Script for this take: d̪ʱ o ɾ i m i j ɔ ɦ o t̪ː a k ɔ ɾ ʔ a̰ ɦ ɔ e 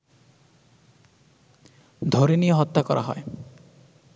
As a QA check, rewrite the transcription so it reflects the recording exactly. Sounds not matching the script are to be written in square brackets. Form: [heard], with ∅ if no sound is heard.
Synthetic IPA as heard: d̪ʱ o ɾ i [n] i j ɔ ɦ [ɔ] t̪ː a k ɔ ɾ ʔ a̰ ɦ ɔ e